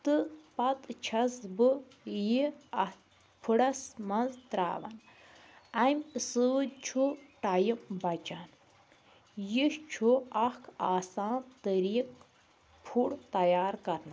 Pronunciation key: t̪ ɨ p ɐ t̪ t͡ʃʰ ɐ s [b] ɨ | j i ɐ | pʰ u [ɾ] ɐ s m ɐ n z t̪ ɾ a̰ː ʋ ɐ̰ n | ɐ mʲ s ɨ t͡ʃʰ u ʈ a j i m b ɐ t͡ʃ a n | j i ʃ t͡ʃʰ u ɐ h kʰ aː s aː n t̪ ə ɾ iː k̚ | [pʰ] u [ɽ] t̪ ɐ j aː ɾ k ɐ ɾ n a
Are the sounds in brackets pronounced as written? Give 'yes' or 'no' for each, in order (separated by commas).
yes, no, yes, yes